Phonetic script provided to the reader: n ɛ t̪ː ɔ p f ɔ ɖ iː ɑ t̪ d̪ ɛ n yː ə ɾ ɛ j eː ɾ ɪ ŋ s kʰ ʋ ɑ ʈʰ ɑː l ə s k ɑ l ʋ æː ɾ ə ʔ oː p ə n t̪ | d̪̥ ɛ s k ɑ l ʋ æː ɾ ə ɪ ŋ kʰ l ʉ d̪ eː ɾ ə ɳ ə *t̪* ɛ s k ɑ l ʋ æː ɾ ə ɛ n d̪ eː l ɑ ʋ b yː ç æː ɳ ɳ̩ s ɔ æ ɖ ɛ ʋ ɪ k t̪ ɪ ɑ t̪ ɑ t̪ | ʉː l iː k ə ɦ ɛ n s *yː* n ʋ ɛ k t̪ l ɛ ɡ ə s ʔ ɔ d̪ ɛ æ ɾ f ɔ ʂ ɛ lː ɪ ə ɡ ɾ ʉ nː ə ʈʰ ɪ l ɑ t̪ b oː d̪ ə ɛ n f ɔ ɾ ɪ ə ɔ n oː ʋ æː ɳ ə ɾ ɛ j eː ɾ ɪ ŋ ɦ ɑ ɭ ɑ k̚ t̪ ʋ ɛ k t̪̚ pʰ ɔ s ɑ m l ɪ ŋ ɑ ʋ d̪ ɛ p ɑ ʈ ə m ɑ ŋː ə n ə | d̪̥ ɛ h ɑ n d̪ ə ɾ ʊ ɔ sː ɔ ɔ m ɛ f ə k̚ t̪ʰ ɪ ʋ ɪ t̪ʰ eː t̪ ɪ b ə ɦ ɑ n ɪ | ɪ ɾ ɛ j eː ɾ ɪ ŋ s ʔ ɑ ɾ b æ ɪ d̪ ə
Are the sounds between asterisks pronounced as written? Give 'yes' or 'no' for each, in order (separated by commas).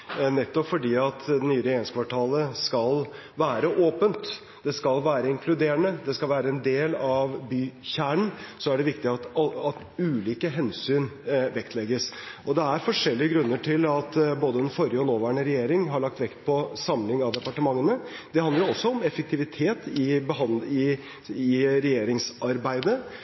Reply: no, yes